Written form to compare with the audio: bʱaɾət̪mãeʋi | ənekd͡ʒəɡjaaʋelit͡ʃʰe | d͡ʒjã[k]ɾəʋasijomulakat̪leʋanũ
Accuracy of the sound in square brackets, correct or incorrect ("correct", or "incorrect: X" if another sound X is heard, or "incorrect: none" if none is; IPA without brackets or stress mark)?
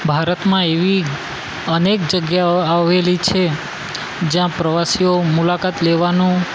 incorrect: p